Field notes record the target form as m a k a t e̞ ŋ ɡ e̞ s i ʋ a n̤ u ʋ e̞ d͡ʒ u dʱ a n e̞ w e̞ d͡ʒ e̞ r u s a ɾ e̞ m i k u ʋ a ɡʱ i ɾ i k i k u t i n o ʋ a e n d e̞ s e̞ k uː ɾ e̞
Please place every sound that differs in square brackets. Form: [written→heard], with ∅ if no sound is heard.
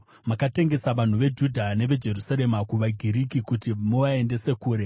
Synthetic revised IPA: m a k a t e̞ ŋ ɡ e̞ s [i→a] ʋ a n̤ u ʋ e̞ d͡ʒ u dʱ a n e̞ [w→ʋ] e̞ d͡ʒ e̞ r u s a ɾ e̞ m [i→a] k u ʋ a ɡʱ i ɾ i k i k u t i [n→m] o ʋ a e n d e̞ s e̞ k uː ɾ e̞